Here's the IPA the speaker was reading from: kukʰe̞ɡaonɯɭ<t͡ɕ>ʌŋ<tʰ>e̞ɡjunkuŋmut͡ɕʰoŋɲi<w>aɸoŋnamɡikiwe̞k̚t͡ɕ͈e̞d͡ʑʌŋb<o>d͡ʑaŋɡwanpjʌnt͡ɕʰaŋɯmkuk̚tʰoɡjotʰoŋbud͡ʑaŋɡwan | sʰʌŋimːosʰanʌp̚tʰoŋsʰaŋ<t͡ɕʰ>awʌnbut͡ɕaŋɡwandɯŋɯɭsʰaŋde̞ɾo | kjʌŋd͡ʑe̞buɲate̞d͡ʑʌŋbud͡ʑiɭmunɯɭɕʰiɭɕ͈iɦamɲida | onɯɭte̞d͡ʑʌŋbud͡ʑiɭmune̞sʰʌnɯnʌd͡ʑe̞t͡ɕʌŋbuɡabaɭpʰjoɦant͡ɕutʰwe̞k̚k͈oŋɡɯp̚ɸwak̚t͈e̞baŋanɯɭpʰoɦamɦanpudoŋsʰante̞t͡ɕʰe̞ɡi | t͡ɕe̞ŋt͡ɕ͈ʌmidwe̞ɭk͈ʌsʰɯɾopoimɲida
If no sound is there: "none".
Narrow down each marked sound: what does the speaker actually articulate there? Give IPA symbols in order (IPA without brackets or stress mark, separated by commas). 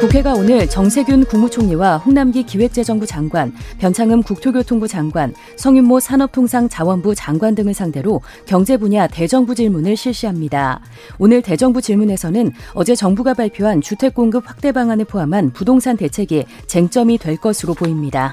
t͡ɕ, sʰ, w, u, t͡ɕ